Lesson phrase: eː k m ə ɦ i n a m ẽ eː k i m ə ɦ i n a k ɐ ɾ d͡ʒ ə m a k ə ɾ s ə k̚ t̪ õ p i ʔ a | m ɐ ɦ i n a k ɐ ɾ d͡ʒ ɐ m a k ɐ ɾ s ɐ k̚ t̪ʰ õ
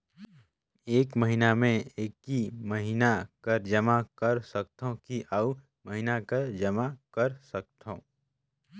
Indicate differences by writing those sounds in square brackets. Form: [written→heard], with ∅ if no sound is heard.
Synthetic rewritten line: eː k m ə ɦ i n a m ẽ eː k i m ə ɦ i n a k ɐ ɾ d͡ʒ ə m a k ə ɾ s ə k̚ t̪ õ [p→k] i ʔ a | m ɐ ɦ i n a k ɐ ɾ d͡ʒ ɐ m a k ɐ ɾ s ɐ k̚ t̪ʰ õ